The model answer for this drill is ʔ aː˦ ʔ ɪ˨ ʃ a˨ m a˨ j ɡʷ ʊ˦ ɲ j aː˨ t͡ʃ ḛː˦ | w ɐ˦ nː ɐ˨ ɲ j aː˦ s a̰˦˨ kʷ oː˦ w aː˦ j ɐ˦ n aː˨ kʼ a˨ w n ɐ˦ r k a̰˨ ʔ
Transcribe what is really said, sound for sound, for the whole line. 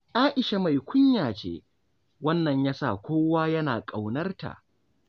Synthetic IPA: ʔ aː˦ ʔ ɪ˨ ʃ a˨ m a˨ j kʷ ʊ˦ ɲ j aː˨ t͡ʃ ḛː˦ | w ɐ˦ nː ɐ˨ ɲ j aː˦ s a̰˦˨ kʷ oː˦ w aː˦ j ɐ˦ n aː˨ kʼ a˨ w n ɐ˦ r t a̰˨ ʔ

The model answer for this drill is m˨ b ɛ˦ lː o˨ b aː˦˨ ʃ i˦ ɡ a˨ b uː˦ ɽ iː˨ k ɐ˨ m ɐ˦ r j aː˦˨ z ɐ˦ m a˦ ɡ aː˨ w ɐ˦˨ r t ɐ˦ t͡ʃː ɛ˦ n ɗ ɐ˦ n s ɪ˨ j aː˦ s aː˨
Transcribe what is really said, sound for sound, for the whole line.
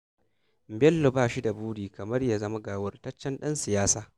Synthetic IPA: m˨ b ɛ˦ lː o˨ b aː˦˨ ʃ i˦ d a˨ b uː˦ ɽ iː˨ k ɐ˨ m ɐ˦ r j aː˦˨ z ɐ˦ m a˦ ɡ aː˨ w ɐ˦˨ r t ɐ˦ t͡ʃː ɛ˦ n ɗ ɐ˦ n s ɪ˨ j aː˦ s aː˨

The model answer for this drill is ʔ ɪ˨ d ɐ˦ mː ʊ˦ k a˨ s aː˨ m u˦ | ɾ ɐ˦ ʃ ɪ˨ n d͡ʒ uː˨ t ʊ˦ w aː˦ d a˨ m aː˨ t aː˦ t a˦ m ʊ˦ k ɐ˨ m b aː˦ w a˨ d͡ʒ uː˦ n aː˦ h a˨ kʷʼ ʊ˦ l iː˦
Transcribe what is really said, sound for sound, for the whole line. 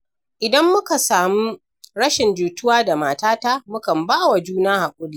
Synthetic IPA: ʔ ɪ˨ d ɐ˦ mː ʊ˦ k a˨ s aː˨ m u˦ | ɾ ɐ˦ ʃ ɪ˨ n d͡ʒ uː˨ t ʊ˦ w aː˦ d a˨ m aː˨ t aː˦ t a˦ m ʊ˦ k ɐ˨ m b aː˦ w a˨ d͡ʒ uː˦ n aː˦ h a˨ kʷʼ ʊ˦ l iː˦

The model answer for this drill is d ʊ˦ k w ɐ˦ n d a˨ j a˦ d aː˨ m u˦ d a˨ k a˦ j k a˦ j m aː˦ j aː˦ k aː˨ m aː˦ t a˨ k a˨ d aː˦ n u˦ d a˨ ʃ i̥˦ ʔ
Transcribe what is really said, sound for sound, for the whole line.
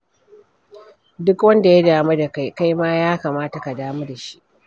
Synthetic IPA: d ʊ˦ k w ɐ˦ n d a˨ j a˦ d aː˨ m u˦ d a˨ k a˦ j k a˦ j m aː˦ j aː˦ k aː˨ m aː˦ t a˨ k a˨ d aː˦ m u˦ d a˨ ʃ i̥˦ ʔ

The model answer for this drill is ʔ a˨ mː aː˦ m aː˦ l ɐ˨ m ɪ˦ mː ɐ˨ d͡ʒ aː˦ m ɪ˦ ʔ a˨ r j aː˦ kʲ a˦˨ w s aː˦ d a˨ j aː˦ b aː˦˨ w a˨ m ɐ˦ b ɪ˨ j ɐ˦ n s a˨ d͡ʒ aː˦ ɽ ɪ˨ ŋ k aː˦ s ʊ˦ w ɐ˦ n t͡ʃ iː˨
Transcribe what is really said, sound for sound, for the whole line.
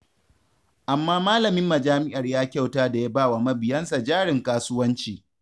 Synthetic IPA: ʔ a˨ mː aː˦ m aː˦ l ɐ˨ m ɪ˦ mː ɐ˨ d͡ʒ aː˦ m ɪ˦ ʔ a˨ r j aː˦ kʲ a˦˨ w t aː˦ d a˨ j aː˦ b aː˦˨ w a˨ m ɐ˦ b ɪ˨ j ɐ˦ n s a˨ d͡ʒ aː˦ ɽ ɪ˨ ŋ k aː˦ s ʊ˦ w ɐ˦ n t͡ʃ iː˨

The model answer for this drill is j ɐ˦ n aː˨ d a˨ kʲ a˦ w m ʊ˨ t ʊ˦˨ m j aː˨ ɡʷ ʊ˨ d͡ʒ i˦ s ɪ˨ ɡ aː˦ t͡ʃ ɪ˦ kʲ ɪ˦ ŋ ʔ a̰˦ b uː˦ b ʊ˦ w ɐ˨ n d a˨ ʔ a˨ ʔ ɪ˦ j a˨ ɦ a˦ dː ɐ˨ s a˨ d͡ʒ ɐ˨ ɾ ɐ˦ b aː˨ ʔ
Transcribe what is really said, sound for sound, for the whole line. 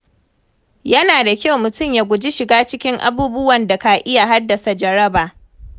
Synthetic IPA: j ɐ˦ n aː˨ d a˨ kʲ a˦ w m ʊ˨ t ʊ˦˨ m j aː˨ ɡʷ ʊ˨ d͡ʒ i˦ ʃ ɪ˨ ɡ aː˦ t͡ʃ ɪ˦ kʲ ɪ˦ ŋ ʔ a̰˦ b uː˦ b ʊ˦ w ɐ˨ n d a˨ k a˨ ʔ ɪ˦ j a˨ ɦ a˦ dː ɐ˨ s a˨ d͡ʒ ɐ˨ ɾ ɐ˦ b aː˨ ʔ

